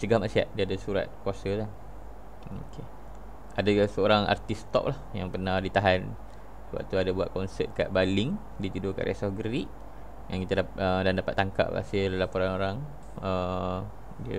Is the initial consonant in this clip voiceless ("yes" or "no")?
yes